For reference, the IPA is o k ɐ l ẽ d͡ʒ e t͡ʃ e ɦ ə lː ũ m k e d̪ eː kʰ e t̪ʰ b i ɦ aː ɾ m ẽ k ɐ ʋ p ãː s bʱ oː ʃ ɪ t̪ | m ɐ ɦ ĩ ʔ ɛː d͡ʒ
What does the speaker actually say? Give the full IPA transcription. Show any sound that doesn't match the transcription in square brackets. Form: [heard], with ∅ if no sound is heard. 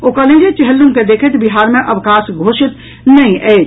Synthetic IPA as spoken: o k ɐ l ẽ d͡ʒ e t͡ʃ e ɦ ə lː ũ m k e d̪ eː kʰ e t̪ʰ b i ɦ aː ɾ m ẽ [ʔ] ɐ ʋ [k] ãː s [ɡʱ] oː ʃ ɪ t̪ | [n] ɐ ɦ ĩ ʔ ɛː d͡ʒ